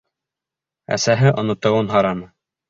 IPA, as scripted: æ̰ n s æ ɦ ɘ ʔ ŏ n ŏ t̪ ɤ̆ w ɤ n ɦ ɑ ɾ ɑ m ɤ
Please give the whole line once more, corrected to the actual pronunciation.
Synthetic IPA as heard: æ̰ s æ ɦ ɘ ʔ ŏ n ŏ t̪ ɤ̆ w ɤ n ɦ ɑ ɾ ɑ n ɤ